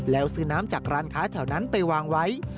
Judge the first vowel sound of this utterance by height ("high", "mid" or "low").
mid